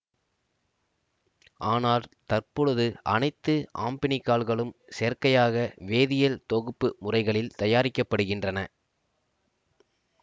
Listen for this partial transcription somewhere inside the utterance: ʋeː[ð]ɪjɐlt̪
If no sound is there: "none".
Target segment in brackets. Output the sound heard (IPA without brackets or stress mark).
ð